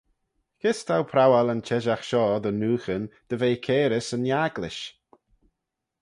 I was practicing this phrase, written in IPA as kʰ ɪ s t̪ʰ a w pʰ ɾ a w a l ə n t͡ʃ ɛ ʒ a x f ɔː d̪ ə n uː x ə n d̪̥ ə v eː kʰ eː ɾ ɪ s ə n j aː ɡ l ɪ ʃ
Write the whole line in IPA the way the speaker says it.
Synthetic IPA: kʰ ɪ s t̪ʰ a w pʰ ɾ a w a l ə n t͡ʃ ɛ ʒ a x ʃ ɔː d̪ ə n uː x ə n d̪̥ ə v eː kʰ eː ɾ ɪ s ə n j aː ɡ l ɪ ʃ